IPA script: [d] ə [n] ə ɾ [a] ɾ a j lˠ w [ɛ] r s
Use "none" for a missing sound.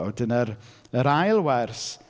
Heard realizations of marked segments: d, n, ə, ɛ

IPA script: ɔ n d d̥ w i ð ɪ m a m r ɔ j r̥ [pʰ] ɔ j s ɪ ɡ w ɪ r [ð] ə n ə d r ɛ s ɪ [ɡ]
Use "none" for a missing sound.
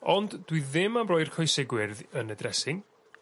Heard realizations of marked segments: kʰ, ð, ŋ

